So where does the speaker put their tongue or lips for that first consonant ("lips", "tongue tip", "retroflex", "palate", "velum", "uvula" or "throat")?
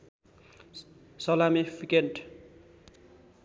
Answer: tongue tip